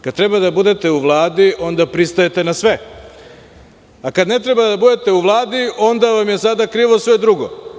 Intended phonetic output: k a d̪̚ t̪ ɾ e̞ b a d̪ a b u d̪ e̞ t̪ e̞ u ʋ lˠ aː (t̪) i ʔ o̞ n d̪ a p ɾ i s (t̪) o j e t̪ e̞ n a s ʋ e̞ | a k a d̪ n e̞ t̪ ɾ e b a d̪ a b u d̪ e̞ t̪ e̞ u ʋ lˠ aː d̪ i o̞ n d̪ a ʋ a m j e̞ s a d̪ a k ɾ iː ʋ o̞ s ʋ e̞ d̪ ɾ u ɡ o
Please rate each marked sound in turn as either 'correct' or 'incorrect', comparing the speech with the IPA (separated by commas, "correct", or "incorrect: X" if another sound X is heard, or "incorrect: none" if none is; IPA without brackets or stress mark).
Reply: incorrect: d̪, correct